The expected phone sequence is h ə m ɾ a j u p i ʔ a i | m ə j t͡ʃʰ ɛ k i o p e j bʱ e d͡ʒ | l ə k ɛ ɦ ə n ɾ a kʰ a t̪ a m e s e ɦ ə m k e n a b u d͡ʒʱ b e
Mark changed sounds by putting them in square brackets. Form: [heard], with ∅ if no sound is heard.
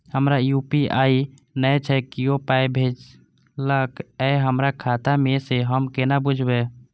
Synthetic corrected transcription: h ə m ɾ a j u p i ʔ a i | [n] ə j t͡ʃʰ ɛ k i o p [a] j bʱ e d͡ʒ | l ə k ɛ ɦ ə [m] ɾ a kʰ a t̪ a m e s e ɦ ə m k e n a b u d͡ʒʱ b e